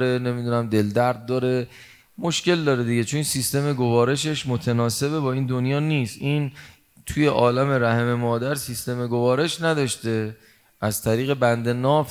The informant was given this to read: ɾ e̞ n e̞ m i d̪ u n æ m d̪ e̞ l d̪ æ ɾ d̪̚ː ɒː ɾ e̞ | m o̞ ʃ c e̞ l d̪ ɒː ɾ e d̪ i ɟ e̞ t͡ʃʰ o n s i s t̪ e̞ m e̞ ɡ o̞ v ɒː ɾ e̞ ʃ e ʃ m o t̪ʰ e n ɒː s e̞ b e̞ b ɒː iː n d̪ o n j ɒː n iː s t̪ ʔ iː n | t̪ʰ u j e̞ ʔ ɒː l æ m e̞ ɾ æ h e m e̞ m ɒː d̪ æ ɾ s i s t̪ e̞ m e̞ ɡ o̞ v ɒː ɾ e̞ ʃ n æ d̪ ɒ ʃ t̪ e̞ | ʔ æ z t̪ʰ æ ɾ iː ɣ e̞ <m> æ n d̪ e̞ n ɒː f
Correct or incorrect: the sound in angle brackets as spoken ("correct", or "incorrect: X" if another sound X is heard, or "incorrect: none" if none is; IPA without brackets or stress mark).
incorrect: b